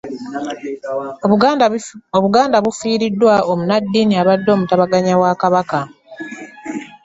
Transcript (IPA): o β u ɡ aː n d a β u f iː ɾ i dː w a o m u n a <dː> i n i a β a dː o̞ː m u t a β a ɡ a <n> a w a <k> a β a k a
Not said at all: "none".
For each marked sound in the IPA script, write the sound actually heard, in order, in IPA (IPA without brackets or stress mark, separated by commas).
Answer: dː, ɲ, k